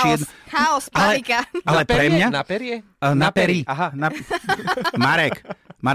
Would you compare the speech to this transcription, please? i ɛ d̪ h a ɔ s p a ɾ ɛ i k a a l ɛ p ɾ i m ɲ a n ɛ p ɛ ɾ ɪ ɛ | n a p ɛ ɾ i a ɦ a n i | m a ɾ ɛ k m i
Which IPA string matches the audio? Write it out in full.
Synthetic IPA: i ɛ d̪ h a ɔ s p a l ɛ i k a a l ɛ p ɾ ɛ m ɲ a n a p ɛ ɾ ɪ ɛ | n a p ɛ ɾ i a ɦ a n a | m a ɾ ɛ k m a